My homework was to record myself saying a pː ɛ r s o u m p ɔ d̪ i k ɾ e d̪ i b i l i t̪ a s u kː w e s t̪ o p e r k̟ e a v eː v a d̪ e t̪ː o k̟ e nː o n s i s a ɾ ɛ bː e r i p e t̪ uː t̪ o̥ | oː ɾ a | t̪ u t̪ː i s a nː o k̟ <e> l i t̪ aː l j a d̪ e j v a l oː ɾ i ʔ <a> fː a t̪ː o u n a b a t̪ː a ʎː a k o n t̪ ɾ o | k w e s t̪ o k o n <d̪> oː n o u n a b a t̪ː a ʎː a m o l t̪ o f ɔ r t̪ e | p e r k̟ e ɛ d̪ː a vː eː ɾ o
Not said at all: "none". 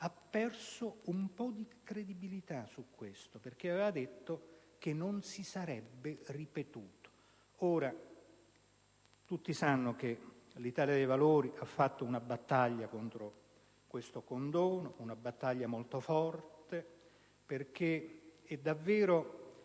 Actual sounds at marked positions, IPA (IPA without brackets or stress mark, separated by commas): e, a, d̪